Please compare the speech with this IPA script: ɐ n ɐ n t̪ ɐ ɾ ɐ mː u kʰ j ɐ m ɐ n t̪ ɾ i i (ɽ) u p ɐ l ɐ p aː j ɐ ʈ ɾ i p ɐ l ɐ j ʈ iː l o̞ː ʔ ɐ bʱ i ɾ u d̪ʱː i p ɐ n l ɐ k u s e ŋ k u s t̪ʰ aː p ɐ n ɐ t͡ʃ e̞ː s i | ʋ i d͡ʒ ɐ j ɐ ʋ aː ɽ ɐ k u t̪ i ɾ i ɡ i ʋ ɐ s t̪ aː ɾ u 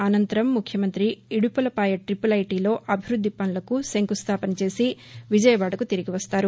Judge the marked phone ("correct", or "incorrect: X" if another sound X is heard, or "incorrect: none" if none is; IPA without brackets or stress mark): correct